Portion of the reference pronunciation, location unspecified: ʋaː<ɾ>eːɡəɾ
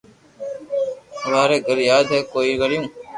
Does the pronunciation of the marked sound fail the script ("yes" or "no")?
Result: no